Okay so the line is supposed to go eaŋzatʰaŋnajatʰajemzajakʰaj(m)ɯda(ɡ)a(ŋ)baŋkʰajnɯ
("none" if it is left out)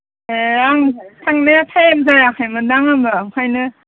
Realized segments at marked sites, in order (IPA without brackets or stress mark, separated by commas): m, ŋ, m